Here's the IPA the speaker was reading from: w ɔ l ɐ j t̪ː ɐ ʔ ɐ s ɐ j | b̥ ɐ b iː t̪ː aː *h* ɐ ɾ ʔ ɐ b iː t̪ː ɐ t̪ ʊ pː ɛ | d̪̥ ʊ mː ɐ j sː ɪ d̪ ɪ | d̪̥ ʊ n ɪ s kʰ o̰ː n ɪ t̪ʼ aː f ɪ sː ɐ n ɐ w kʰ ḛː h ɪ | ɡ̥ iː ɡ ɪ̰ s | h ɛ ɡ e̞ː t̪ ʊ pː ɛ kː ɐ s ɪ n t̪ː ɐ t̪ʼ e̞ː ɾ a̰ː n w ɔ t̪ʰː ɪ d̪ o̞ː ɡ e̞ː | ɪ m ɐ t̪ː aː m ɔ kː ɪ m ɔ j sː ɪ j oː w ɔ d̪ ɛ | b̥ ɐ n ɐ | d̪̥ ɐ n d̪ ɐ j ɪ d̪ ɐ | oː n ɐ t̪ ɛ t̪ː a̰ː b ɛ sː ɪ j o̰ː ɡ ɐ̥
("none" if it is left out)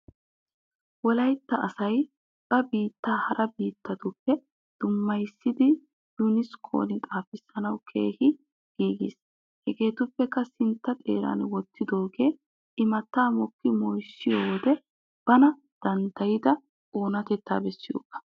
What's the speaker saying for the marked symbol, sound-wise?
h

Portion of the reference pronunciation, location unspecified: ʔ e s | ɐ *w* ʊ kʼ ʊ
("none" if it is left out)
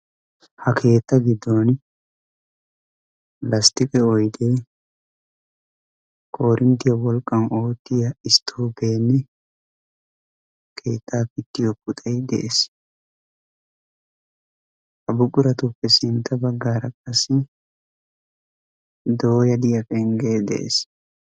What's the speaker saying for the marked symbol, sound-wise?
b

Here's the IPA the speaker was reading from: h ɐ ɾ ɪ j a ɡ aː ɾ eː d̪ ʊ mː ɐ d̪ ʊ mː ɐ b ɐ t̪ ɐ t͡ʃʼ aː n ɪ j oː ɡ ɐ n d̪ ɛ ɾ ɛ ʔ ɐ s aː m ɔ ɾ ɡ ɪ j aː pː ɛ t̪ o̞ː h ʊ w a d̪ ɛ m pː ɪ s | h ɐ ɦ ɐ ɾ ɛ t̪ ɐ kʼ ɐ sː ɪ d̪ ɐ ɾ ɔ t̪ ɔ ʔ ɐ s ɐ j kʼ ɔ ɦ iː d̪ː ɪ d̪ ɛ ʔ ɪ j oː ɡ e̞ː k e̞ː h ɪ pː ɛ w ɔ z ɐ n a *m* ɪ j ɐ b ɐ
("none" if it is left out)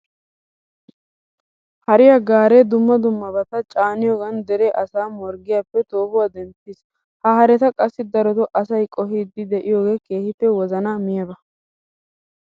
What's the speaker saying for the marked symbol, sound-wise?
m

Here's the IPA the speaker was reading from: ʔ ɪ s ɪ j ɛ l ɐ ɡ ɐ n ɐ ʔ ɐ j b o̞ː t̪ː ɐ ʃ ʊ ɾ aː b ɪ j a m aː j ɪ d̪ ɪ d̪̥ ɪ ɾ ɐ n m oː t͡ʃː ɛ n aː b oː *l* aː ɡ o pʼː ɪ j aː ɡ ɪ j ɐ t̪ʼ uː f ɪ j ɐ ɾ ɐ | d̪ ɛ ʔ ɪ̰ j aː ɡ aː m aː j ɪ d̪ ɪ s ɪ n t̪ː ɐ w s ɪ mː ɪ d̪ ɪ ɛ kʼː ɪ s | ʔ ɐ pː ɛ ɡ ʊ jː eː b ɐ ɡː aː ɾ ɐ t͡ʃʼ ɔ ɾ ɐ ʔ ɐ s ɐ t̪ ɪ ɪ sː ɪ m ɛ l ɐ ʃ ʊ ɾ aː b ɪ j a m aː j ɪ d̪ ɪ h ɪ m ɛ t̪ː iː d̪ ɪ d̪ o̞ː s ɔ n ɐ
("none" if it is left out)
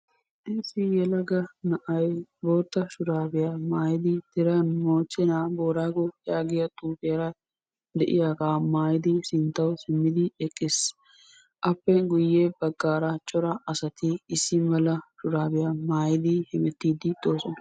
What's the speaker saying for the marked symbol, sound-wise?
ɾ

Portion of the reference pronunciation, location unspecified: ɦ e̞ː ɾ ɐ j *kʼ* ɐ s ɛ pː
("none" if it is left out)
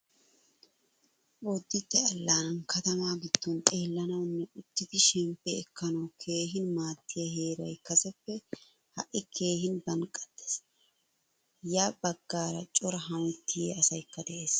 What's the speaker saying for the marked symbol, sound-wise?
k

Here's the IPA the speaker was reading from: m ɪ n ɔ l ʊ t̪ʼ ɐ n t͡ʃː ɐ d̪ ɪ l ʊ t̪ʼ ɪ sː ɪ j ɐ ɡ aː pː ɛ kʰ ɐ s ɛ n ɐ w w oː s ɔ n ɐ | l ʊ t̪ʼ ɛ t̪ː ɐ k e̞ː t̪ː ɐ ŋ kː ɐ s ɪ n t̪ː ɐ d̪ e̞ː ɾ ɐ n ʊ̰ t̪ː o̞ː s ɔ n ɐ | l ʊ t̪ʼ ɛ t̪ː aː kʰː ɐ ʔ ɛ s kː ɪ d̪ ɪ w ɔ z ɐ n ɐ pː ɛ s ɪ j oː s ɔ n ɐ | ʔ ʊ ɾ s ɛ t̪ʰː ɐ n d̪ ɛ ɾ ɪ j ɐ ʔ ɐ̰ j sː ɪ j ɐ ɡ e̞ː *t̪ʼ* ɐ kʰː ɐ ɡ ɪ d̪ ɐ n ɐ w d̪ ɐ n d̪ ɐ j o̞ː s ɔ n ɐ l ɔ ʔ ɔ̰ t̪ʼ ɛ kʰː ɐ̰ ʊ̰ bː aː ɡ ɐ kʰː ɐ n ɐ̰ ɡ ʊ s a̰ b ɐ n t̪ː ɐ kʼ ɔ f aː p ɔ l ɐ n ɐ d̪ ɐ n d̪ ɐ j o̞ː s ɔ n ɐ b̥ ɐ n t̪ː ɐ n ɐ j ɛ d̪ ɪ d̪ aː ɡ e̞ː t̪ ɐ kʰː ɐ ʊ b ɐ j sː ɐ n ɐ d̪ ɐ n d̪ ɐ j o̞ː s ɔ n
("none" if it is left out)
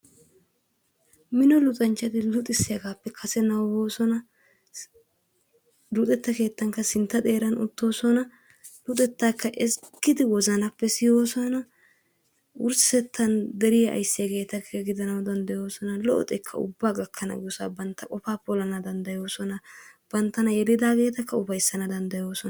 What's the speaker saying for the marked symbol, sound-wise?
t̪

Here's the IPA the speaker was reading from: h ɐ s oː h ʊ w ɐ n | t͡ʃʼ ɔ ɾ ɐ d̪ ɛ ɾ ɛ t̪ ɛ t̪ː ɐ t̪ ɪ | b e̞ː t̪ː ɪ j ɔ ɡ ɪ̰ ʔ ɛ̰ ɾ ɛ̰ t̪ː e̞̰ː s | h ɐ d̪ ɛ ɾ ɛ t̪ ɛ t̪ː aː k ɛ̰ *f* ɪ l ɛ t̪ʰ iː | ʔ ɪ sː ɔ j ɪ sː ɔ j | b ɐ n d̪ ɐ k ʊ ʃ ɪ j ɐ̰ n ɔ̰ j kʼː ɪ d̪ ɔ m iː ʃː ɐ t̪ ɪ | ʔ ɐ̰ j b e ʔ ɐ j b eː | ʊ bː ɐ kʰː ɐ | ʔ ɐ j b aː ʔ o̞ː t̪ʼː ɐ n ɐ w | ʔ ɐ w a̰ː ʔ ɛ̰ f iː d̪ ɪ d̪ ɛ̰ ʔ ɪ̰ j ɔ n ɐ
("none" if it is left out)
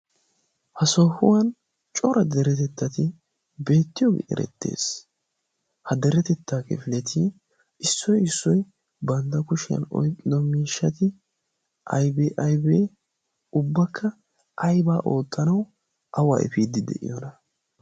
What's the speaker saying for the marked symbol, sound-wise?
f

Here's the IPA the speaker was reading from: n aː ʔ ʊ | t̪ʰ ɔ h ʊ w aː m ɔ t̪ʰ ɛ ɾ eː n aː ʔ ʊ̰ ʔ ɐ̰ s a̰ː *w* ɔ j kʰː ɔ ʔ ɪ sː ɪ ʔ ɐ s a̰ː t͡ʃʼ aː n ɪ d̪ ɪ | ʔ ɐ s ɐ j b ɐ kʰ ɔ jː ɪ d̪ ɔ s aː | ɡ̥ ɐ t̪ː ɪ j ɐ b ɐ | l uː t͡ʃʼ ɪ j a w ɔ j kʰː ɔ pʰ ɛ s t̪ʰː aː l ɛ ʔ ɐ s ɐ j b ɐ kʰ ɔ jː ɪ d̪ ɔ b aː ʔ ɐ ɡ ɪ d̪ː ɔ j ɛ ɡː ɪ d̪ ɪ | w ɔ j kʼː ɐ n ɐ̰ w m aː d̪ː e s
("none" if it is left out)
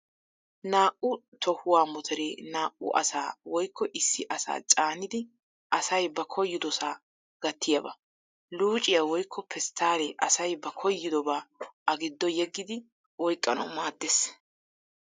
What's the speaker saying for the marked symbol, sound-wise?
w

